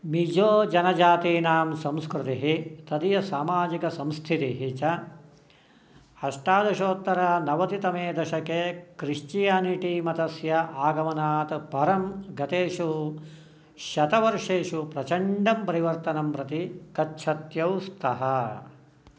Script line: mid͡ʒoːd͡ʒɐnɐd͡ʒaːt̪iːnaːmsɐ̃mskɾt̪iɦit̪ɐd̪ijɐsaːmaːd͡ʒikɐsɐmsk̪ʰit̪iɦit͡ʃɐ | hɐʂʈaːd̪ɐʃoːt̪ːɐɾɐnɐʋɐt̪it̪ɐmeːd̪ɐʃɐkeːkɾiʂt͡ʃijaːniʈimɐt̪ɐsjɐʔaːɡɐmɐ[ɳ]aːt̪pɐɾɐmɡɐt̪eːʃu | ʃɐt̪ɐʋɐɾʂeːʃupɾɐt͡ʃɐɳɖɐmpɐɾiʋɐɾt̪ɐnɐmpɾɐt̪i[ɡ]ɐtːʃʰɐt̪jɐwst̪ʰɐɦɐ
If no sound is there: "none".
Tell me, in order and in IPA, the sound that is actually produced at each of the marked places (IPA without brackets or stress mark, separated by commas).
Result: n, k